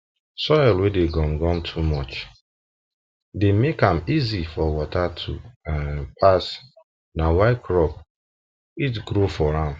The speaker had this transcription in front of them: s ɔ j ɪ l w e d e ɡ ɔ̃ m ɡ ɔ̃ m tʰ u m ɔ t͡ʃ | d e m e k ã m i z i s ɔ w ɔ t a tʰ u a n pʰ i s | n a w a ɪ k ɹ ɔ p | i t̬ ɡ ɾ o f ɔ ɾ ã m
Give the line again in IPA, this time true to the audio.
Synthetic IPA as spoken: s ɔ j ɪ l w e d e ɡ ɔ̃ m ɡ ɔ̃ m tʰ u m ɔ t͡ʃ | d e m e k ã m i z i f ɔ w ɔ t a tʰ u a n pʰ a s | n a w a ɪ k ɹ ɔ p | i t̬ ɡ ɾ o f ɔ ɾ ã m